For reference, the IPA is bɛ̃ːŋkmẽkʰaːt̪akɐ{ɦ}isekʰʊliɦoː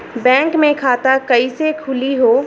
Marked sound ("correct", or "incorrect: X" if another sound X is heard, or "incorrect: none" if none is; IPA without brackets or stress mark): incorrect: none